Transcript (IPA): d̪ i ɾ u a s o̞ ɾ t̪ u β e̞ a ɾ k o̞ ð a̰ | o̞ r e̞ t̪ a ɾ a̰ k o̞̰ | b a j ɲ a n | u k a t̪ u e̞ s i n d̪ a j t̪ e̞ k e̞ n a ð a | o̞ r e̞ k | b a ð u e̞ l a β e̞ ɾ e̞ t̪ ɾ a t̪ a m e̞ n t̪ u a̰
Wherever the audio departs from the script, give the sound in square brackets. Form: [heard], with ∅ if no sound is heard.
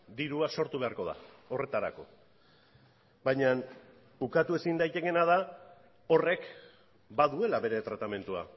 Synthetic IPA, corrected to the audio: d̪ i ɾ u a s o̞ ɾ t̪ u β e̞ a ɾ k o̞ ð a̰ | o̞ r e̞ t̪ a ɾ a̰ k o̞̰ | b a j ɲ a n | u k a t̪ u e̞ s i n d̪ a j t̪ e̞ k e̞ n a ð a | o̞ r e̞ k | b a ð u e̞ l a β e̞ ɾ e̞ t̪ ɾ a t̪ a m e̞ n t̪ u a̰